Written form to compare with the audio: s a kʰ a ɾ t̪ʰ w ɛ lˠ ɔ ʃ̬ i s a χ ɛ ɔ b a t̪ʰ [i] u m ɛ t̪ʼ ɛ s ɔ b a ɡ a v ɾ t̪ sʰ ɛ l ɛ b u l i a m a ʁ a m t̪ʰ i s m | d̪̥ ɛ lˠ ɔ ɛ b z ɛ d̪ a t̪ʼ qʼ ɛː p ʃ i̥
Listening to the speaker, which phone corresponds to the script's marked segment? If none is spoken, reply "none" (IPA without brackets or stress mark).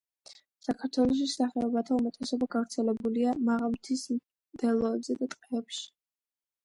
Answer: a